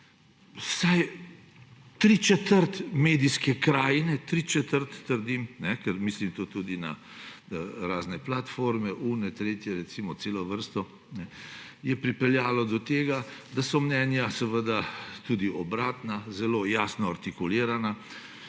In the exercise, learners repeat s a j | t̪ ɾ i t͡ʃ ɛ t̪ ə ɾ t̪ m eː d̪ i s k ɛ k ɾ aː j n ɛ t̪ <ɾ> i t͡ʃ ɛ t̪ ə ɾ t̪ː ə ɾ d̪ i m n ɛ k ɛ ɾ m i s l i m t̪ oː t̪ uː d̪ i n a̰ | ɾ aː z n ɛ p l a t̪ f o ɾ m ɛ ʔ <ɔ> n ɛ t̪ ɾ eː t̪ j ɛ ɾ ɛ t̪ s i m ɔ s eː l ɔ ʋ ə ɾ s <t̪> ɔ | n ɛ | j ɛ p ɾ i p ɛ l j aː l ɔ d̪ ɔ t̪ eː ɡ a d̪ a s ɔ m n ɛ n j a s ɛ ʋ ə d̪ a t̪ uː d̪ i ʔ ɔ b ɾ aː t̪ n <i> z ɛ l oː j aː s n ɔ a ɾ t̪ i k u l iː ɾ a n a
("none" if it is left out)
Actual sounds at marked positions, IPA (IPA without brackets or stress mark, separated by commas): ɾ, u, t̪, a